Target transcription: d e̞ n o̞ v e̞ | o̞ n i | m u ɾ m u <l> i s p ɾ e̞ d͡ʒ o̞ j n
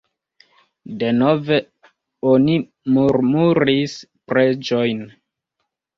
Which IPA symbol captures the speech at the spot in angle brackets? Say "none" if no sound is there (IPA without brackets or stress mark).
ɾ